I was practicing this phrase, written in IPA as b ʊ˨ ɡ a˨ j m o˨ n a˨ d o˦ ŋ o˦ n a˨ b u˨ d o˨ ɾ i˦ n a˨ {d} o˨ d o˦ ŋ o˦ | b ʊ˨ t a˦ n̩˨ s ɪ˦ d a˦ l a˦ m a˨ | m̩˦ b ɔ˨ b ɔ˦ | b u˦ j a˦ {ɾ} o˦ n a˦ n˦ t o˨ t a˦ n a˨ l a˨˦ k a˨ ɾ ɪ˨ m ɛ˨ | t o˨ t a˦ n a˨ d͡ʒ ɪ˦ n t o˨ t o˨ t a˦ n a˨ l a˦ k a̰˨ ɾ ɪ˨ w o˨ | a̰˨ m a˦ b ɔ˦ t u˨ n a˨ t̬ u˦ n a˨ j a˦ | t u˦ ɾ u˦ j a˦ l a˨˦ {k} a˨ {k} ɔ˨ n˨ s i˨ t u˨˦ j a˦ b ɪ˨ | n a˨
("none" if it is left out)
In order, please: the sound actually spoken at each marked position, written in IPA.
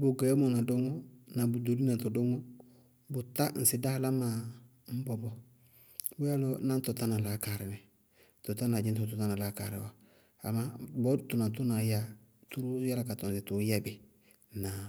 t, l, k, t

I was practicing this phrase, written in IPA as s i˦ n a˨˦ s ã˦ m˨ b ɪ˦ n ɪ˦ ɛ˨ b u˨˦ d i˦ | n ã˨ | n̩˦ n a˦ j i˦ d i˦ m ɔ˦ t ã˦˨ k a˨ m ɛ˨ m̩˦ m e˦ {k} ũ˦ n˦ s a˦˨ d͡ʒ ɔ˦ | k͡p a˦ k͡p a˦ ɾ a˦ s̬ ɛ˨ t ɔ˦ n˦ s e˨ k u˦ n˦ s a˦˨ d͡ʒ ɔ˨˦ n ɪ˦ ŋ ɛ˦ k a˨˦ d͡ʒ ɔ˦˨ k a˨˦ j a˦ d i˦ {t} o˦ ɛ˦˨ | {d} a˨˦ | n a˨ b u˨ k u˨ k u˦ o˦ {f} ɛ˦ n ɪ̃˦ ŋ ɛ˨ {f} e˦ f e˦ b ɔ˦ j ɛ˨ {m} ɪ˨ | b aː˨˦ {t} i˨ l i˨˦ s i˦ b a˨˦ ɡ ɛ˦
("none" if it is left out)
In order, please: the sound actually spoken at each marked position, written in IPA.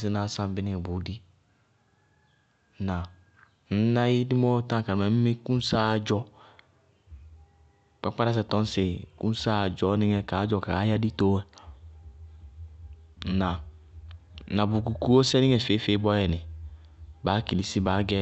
k, t, n, s, f, n, k

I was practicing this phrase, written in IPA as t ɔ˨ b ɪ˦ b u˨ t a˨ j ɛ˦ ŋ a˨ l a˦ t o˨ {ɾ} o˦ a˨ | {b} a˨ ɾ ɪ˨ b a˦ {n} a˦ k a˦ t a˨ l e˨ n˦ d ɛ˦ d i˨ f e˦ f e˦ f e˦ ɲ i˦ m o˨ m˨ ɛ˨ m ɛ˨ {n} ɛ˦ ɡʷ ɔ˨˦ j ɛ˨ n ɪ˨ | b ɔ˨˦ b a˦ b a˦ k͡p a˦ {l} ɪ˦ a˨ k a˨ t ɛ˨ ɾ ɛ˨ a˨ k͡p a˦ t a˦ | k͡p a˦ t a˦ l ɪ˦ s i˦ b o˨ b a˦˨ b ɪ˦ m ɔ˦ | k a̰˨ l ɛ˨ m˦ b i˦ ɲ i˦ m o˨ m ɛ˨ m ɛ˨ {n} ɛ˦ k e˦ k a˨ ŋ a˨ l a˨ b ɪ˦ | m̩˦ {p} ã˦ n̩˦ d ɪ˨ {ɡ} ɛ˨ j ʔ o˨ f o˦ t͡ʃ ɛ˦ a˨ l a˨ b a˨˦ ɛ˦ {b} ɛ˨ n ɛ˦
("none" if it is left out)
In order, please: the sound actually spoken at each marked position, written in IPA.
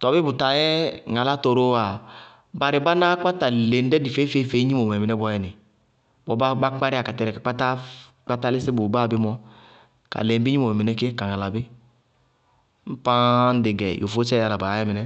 ɾ, b, n, n, ɾ, n, p, ɡ, m

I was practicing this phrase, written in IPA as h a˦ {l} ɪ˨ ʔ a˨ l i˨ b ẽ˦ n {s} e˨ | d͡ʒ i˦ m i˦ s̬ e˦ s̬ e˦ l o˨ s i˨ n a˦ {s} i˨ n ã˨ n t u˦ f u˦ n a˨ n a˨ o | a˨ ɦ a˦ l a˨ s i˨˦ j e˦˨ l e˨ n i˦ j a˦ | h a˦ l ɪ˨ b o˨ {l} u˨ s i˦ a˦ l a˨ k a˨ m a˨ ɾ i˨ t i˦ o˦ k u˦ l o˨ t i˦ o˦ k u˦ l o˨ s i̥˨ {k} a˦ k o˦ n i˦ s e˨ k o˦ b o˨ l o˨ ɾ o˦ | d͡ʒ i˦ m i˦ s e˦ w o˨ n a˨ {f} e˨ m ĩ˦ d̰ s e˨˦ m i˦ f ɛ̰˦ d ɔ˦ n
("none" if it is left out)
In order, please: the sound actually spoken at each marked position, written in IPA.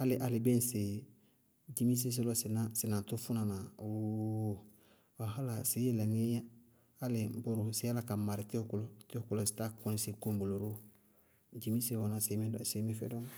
l, s, s, ɾ, t, s

